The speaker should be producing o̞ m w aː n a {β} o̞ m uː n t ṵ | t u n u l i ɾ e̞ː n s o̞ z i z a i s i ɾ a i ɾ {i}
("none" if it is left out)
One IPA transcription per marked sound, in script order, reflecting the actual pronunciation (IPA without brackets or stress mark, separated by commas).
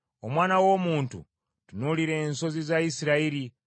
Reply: w, i